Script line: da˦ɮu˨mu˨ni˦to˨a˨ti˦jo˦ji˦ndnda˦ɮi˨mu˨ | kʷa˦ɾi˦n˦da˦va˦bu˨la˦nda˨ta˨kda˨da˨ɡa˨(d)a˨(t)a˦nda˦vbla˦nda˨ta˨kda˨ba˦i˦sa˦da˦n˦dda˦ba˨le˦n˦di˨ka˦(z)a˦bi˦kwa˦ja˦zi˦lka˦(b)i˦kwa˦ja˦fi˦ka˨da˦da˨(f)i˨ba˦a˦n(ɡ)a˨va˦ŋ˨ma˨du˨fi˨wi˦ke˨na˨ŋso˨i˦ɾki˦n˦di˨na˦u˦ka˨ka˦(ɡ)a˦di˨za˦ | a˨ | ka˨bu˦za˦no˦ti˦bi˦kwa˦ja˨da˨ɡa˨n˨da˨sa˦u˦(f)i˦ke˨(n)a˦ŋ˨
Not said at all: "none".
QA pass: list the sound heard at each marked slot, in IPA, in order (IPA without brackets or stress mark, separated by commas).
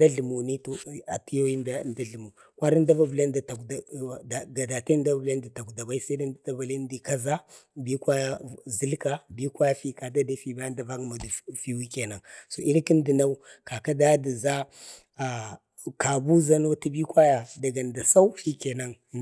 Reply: d, t, z, b, f, d, d, f, n